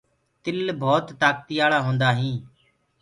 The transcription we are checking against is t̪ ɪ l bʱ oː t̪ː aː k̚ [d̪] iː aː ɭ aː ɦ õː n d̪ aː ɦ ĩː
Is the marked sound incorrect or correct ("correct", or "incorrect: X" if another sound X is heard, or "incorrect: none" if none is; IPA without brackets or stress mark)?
incorrect: t̪